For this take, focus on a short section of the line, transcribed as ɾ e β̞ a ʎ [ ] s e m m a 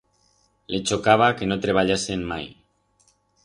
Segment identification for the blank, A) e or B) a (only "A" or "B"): B